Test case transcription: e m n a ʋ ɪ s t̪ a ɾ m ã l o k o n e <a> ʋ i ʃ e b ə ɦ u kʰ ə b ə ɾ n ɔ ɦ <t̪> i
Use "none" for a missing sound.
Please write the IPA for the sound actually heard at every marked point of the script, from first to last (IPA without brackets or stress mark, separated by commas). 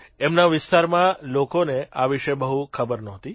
a, t̪